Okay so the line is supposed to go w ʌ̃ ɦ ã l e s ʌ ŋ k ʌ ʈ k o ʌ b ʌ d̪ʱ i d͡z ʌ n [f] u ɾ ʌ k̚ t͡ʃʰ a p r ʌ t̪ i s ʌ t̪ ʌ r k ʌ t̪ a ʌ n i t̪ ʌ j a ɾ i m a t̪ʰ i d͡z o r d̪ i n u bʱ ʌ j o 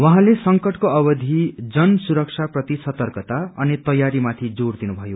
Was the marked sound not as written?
yes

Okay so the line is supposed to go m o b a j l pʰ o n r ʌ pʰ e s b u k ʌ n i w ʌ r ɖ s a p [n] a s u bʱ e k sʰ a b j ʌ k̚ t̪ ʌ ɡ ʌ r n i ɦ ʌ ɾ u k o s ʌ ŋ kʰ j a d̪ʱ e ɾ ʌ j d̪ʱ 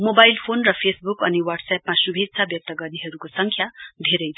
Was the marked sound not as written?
yes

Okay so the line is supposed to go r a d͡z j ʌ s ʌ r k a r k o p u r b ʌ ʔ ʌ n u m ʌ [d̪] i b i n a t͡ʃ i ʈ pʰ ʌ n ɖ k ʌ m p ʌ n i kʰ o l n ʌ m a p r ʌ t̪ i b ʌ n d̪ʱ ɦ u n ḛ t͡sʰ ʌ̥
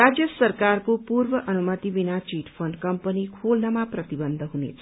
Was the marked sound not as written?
yes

